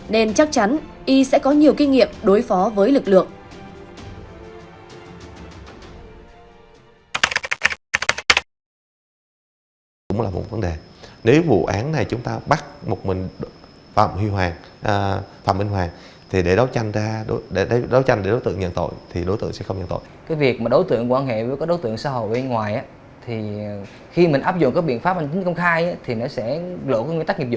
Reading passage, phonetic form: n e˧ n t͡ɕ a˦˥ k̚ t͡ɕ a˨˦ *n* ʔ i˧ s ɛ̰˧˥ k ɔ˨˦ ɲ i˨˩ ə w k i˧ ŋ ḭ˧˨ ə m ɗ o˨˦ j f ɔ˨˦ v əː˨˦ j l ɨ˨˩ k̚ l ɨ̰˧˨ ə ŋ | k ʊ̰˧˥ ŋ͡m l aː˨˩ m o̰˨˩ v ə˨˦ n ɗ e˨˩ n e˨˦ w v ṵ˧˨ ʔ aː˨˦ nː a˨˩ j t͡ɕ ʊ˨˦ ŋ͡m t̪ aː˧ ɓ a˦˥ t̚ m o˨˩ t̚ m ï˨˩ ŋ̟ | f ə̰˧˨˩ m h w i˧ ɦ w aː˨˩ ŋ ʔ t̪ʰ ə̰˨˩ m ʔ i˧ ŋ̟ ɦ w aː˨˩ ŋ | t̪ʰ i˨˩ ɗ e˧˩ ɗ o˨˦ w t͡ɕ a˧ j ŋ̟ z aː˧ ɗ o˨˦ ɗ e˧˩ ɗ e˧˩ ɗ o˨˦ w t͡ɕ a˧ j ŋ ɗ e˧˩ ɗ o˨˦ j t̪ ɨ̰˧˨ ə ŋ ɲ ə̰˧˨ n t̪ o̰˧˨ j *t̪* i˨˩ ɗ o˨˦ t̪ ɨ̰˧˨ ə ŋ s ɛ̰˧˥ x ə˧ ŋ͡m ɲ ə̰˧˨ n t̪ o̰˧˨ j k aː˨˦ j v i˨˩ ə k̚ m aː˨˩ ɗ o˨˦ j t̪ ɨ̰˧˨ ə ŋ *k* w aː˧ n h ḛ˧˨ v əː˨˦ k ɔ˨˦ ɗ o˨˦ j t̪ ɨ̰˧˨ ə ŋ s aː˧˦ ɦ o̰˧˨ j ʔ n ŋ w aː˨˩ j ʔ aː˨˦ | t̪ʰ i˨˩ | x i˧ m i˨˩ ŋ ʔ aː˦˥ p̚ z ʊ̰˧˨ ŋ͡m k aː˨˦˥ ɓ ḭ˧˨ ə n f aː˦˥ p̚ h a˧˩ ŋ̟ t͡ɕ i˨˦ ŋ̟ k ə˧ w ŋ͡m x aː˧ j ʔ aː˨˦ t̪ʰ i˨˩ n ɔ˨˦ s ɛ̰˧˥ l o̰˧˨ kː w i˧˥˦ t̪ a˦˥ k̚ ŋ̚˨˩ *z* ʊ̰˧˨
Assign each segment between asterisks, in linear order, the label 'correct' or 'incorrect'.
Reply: correct, incorrect: t̪ʰ, correct, correct

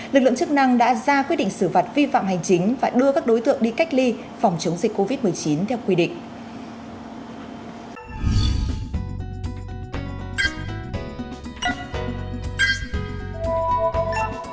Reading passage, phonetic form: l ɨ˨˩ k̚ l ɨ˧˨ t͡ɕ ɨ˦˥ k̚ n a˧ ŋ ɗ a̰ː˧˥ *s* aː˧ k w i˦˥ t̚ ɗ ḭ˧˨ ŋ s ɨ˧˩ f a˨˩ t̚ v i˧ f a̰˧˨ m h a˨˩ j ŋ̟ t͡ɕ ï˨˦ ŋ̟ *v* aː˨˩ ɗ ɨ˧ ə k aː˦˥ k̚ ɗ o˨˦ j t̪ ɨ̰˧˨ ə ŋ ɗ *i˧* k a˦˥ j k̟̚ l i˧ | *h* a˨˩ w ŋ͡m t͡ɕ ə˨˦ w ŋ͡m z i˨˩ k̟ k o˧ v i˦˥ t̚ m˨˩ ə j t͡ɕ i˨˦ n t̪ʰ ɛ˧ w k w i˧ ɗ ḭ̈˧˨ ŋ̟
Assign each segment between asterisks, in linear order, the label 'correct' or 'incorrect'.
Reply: incorrect: z, correct, correct, incorrect: f

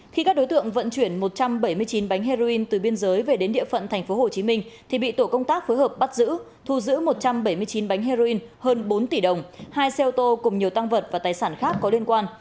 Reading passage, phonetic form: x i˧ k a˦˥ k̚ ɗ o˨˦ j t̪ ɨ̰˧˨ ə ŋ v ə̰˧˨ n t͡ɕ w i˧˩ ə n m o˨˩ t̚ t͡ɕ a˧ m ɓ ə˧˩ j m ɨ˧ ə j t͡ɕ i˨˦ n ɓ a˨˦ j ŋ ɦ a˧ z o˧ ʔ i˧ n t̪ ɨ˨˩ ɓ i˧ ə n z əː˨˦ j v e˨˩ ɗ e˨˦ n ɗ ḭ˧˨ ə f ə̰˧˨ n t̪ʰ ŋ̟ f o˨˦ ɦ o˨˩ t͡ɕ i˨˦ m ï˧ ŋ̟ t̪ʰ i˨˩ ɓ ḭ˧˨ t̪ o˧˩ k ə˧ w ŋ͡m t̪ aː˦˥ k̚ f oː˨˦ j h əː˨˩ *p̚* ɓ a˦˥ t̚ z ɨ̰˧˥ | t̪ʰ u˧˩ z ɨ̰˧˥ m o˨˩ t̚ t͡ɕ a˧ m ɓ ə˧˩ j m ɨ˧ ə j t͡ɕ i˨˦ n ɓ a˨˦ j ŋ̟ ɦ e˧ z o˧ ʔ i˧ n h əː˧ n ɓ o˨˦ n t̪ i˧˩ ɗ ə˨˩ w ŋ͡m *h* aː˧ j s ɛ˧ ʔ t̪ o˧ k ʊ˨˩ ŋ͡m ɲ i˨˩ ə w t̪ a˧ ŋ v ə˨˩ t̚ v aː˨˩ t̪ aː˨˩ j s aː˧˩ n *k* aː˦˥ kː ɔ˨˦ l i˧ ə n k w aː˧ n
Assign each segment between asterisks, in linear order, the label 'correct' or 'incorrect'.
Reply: correct, correct, incorrect: x

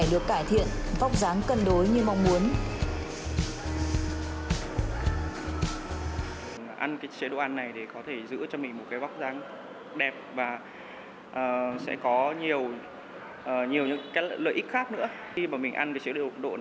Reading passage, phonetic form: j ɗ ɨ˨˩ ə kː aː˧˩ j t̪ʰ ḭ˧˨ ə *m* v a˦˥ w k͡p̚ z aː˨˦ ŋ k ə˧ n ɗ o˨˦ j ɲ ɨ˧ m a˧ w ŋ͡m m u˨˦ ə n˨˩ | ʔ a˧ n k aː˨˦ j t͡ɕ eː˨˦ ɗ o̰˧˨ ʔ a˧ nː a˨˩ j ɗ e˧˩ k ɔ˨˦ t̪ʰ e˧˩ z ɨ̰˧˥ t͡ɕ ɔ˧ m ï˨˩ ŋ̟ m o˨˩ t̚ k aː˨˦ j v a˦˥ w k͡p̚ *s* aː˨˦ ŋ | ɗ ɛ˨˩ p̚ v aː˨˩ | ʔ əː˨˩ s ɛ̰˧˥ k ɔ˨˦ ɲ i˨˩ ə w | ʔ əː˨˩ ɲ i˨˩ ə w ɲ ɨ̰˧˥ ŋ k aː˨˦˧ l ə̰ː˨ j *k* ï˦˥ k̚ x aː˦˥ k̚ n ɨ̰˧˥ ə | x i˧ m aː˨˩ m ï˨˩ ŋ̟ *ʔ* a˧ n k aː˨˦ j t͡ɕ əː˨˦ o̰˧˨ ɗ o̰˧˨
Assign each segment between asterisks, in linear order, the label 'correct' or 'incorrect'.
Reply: incorrect: n, incorrect: z, incorrect: ʔ, correct

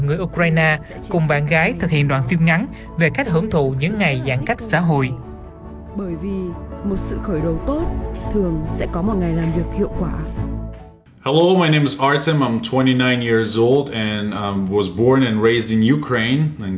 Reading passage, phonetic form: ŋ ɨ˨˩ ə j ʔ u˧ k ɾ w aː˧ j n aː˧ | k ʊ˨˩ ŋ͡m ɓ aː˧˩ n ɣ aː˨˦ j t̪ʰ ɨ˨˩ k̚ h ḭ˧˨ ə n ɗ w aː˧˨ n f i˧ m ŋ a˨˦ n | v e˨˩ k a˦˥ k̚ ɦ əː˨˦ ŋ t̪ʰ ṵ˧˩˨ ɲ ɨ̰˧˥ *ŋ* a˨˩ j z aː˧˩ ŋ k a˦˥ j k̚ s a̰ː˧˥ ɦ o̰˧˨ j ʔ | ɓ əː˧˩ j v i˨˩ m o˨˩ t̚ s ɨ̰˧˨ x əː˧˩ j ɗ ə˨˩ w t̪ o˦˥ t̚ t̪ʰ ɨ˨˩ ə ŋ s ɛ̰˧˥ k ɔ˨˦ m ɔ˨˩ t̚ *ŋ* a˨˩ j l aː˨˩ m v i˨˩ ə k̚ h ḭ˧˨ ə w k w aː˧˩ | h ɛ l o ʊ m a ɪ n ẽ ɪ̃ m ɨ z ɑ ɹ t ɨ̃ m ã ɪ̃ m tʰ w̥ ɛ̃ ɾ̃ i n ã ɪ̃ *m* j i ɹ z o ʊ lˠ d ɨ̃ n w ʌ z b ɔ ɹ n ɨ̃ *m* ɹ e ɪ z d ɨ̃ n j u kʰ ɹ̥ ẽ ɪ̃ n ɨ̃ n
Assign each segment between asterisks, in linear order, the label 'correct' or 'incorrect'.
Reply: incorrect: ŋː, correct, incorrect: n, incorrect: n

